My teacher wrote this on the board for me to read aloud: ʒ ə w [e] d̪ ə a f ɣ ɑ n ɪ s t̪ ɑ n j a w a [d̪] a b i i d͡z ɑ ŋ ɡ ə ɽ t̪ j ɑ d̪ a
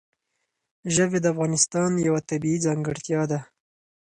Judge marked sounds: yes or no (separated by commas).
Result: yes, no